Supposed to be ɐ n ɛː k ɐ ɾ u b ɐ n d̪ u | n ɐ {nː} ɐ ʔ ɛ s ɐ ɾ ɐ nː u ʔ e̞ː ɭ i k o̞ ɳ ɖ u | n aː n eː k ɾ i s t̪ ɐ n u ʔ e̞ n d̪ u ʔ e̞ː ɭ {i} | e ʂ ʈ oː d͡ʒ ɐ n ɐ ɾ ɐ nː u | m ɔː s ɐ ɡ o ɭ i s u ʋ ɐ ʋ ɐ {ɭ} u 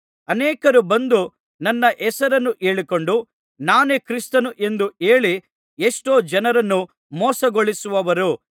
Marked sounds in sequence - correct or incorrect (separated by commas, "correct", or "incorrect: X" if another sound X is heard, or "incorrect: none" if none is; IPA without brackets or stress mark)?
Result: correct, correct, incorrect: ɾ